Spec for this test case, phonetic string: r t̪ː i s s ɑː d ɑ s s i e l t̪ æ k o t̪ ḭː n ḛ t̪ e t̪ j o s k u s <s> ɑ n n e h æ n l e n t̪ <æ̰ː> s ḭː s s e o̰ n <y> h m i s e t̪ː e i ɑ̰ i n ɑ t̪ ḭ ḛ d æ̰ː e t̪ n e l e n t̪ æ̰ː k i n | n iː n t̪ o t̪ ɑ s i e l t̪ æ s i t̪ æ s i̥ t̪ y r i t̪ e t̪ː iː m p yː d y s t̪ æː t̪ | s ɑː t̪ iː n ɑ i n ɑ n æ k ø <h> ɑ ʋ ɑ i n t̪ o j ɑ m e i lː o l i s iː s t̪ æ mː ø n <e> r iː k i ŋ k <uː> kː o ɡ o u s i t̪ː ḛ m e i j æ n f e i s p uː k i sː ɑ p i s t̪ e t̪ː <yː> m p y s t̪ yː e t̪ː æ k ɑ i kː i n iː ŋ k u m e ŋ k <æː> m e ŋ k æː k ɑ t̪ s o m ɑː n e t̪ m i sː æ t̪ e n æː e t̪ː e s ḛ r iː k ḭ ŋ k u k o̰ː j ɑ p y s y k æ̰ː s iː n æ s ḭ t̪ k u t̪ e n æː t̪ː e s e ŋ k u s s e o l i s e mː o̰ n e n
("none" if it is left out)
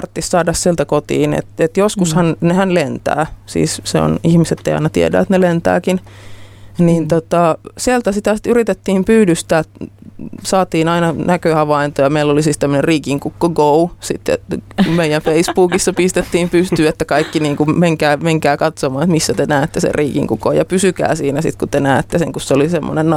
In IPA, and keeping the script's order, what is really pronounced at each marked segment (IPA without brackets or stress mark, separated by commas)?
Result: h, æ̰ː, i, h, e, u, iː, æː